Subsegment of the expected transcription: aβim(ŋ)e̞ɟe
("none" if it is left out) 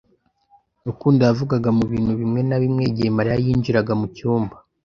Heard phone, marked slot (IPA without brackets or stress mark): ŋ